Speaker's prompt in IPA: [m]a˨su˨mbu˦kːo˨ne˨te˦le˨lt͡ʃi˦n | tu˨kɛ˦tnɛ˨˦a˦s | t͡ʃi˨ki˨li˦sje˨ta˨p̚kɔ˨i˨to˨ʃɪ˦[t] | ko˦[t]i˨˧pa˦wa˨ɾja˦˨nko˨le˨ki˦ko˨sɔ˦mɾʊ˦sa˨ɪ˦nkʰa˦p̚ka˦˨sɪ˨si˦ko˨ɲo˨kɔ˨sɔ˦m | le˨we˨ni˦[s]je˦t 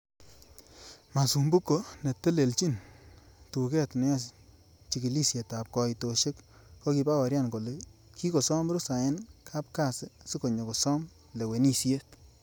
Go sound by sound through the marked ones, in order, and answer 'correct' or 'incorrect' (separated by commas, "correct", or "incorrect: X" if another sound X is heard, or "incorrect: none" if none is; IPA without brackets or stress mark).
correct, incorrect: k, incorrect: k, correct